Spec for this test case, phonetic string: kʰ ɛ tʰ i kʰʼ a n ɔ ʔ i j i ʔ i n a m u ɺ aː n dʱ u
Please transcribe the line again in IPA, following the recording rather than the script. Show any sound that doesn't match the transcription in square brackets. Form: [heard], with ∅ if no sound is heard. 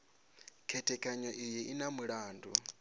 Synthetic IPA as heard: kʰ ɛ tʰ [ɛ] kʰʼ a [ɲ] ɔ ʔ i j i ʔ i n a m u ɺ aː n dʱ u